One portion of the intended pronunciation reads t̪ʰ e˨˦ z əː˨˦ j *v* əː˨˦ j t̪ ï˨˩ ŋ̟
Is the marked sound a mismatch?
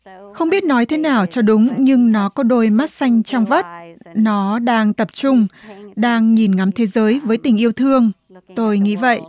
no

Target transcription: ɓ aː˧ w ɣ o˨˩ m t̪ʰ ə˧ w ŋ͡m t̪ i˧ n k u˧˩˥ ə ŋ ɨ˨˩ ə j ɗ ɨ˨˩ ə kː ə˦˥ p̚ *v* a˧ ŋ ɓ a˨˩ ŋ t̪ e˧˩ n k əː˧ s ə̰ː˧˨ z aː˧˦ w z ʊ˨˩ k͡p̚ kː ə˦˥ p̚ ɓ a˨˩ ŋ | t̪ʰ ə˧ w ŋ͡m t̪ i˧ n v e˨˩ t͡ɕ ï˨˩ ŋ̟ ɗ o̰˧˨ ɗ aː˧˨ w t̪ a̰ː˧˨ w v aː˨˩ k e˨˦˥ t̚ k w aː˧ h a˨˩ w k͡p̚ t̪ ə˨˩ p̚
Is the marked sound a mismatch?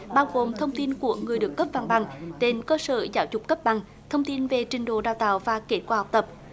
no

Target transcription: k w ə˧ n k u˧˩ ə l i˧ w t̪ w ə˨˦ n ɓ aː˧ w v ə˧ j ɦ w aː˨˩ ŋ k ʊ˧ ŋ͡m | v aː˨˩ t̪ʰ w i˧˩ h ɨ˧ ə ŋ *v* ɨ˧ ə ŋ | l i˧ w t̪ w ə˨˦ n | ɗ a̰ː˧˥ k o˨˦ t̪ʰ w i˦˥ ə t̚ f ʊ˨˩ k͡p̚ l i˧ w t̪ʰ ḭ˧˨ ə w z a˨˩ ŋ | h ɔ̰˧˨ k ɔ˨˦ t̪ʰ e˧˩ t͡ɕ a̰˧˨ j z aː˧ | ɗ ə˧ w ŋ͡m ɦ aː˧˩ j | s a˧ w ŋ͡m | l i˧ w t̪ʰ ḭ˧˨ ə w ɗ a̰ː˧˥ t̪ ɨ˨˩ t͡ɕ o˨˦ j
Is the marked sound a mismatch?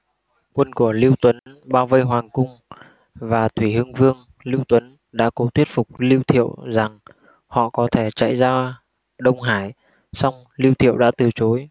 no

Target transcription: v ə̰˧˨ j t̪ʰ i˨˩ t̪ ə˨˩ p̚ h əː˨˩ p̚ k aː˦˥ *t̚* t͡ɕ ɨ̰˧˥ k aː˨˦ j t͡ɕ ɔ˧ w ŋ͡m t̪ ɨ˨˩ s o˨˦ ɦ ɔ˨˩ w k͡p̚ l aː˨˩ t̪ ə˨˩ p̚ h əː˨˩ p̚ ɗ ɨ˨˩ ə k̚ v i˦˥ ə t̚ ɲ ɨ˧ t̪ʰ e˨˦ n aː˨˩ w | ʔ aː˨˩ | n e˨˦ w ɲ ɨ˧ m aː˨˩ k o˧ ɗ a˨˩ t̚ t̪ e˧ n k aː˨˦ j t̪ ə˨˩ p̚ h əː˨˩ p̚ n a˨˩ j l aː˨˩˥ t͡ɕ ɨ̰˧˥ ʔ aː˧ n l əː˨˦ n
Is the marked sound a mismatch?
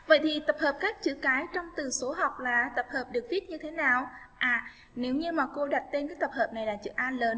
yes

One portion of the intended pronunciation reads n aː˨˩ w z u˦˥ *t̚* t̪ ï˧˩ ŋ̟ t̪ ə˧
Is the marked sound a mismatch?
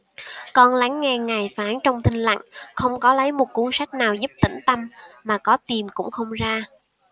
yes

